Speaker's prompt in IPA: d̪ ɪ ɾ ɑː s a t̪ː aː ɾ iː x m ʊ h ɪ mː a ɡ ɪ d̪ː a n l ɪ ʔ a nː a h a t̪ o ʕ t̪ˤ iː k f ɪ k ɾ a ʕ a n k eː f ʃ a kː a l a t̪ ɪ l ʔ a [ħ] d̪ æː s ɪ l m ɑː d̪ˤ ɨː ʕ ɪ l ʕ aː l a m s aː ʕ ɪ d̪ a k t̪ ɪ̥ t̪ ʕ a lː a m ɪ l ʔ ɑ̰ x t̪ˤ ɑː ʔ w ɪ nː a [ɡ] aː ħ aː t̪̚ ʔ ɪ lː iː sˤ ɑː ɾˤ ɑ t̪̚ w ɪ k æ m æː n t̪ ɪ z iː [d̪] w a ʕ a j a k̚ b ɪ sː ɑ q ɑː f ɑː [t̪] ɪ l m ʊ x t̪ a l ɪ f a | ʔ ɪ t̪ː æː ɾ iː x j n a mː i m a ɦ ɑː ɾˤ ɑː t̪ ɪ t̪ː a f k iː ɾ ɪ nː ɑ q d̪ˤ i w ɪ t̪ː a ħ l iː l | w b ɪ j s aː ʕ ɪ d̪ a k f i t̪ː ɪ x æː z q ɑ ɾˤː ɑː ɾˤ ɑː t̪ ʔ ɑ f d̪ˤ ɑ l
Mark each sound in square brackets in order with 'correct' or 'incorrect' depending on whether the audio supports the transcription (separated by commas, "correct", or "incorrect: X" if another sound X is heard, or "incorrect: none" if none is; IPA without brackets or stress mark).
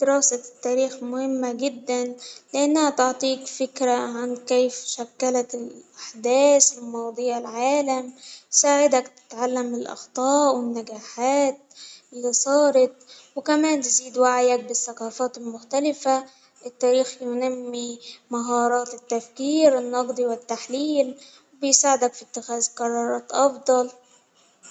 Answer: correct, correct, correct, correct